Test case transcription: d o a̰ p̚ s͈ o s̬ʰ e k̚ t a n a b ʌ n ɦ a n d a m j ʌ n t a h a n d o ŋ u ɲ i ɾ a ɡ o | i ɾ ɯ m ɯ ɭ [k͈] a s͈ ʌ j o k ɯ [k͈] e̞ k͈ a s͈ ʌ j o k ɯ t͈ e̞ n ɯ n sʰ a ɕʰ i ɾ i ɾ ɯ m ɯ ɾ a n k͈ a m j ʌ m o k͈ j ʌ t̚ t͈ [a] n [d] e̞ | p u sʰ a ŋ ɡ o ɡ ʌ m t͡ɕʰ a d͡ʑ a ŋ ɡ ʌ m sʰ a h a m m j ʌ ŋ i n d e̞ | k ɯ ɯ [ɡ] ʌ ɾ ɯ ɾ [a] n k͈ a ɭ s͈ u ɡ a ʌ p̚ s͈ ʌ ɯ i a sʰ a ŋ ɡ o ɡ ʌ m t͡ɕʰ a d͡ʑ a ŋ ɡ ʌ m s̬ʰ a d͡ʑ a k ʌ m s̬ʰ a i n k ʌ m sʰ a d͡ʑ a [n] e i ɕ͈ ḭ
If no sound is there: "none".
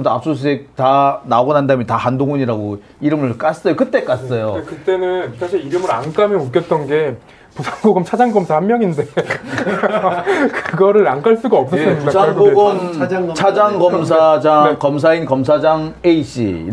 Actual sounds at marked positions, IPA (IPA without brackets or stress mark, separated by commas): k͈, t͈, ʌ, ɡ, ɡ, a, ŋ